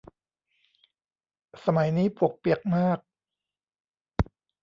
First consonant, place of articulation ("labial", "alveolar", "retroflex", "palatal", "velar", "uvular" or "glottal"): alveolar